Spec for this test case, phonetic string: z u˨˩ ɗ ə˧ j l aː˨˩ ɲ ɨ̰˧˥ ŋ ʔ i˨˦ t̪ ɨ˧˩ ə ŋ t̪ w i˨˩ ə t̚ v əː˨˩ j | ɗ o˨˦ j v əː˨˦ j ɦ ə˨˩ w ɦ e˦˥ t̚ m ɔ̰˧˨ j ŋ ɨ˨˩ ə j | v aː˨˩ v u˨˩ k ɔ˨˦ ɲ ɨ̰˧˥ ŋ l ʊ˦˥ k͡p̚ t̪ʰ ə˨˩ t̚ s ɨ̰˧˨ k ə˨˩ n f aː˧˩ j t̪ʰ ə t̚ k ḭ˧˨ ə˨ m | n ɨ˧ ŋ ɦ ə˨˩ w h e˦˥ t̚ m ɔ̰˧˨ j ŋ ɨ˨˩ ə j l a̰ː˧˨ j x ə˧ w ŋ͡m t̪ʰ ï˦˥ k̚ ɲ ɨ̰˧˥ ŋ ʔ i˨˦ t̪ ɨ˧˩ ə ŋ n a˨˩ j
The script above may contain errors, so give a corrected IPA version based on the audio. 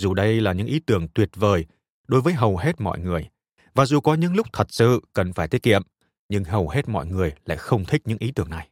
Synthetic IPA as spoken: z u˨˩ ɗ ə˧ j l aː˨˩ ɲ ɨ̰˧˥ ŋ ʔ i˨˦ t̪ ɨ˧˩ ə ŋ t̪ w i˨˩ ə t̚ v əː˨˩ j | ɗ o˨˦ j v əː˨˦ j ɦ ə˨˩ w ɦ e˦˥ t̚ m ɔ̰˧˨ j ŋ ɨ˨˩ ə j | v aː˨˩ z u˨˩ k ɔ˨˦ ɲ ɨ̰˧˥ ŋ l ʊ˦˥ k͡p̚ t̪ʰ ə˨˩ t̚ s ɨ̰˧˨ k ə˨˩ n f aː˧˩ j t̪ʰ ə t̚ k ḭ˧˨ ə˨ m | ɲ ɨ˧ ŋ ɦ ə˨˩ w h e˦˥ t̚ m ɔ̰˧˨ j ŋ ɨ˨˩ ə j l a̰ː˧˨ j x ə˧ w ŋ͡m t̪ʰ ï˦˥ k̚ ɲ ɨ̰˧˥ ŋ ʔ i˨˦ t̪ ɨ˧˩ ə ŋ n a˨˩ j